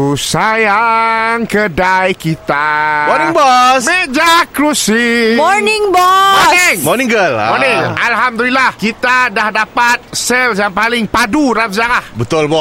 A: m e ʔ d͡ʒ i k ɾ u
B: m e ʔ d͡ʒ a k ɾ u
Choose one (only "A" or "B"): B